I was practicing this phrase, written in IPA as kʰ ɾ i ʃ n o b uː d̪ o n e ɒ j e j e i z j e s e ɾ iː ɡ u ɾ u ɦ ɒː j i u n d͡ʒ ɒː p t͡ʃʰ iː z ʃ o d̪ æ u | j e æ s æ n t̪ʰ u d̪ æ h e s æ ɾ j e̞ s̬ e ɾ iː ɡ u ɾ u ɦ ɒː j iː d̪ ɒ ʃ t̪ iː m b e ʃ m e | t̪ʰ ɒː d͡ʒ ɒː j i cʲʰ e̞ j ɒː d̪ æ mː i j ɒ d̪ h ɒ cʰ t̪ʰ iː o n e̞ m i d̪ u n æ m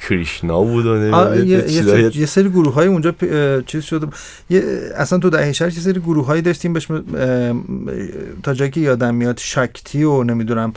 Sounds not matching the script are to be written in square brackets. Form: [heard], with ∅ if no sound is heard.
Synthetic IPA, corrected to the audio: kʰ ɾ i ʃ n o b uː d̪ o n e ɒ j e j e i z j e s e ɾ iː ɡ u ɾ u ɦ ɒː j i u n d͡ʒ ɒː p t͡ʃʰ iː z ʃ o d̪ [e] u | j e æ s æ n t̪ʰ u d̪ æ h e [ʃ] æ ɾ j e̞ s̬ e ɾ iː ɡ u ɾ u ɦ ɒː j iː d̪ ɒ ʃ t̪ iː m b e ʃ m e | t̪ʰ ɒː d͡ʒ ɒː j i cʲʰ e̞ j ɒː d̪ æ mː i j ɒ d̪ [ʃ] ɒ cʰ t̪ʰ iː o n e̞ m i d̪ u n æ m